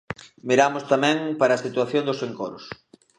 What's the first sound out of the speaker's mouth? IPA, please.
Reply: m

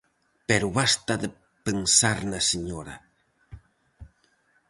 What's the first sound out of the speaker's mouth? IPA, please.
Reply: p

